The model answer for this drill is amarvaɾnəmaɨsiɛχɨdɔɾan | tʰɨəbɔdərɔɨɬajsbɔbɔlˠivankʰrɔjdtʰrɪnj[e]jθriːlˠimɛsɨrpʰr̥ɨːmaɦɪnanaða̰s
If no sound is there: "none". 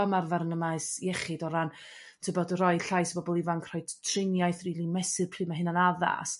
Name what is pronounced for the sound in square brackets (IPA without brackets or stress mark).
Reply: a